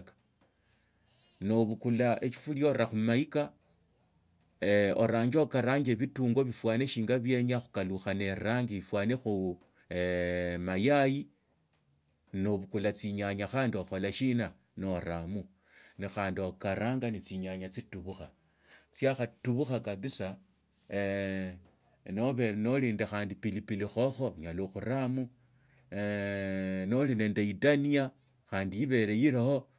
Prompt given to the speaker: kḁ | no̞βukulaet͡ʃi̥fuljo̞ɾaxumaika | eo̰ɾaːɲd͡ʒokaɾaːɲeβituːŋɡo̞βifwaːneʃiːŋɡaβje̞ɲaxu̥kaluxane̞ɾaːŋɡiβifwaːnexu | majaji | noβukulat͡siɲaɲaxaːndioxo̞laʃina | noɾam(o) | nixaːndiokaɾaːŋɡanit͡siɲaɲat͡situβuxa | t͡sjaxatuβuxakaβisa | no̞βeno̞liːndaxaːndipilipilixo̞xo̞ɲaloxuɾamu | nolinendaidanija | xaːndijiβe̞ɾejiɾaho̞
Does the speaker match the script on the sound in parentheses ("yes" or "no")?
no